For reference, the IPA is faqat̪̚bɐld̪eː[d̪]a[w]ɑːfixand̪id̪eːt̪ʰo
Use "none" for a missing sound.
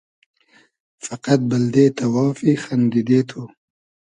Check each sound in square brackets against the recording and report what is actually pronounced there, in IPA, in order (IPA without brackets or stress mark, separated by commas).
t̪, w